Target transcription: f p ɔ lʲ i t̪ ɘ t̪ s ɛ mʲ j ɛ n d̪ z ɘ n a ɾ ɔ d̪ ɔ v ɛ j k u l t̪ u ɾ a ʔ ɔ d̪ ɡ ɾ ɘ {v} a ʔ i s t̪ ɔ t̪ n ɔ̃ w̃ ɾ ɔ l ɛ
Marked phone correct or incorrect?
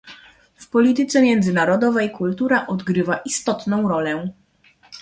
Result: correct